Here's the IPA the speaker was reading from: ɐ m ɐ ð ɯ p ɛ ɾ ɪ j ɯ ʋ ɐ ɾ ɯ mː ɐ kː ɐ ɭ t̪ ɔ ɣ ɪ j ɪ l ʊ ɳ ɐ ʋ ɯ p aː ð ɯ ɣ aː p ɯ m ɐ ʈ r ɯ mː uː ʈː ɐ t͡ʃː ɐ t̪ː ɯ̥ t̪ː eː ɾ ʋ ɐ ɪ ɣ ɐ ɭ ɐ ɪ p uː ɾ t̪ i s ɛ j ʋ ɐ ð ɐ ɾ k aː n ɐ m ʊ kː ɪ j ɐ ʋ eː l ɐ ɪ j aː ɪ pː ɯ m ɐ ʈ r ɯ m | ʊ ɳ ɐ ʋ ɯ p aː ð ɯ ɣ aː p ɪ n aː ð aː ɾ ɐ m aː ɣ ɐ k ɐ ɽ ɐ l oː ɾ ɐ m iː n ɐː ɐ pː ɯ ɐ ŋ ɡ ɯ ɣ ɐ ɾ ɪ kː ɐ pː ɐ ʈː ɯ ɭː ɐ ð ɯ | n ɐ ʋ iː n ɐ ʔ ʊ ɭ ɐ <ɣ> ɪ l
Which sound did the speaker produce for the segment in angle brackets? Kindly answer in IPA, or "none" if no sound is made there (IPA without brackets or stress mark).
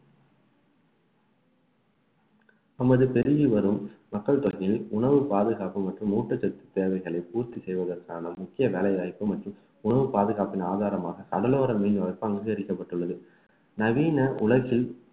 ɣ